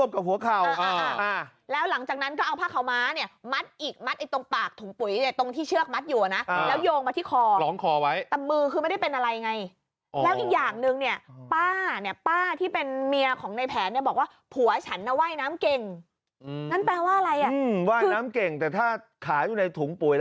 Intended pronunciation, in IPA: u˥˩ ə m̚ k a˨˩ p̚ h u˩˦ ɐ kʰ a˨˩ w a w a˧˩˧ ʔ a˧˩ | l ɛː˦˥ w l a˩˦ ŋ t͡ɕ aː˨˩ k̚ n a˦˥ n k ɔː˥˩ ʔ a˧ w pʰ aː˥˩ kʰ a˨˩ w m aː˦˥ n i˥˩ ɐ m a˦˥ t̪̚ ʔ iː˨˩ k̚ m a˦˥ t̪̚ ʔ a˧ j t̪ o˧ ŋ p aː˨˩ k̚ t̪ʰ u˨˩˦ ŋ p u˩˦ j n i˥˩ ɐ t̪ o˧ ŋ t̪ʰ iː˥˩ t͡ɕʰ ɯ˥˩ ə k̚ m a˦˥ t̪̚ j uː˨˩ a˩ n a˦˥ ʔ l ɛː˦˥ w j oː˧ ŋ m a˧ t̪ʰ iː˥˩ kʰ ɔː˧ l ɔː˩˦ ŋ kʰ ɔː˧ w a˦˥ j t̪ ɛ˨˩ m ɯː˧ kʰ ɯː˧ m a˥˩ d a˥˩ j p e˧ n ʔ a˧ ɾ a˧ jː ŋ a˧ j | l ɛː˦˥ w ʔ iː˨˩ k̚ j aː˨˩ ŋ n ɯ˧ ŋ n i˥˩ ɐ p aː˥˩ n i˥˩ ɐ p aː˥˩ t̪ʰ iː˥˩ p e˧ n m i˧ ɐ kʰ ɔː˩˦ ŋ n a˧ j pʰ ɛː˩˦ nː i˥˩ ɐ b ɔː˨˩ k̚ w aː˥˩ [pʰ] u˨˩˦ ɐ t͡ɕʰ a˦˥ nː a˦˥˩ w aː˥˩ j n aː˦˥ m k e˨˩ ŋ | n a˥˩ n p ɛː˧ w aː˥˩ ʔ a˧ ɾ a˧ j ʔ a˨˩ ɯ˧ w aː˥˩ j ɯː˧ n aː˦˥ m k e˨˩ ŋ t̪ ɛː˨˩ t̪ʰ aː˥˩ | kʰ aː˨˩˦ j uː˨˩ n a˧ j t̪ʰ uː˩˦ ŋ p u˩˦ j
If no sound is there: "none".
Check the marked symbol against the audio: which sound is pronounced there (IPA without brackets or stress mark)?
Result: pʰ